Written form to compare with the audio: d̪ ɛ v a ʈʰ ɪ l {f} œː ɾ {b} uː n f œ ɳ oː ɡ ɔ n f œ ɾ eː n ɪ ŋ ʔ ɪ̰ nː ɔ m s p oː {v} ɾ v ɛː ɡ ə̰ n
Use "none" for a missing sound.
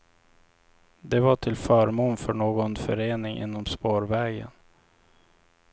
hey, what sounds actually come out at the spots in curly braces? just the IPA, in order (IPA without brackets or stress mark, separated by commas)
f, m, none